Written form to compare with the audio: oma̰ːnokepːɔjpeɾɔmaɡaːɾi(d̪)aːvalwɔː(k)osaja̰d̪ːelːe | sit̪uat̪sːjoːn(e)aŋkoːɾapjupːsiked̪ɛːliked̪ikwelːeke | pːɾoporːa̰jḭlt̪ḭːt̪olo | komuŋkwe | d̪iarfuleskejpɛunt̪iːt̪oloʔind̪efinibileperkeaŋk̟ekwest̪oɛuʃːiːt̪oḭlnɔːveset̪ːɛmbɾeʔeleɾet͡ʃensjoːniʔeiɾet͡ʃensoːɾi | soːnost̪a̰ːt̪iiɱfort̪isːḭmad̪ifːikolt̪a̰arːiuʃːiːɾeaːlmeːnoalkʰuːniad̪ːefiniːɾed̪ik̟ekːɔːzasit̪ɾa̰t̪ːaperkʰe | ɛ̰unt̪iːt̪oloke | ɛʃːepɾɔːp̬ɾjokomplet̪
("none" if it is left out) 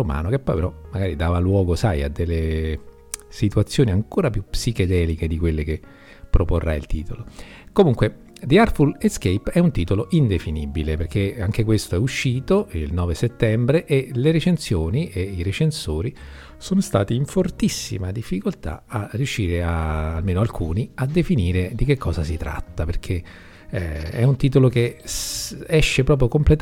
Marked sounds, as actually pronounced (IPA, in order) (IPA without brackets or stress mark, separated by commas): d̪, ɡ, i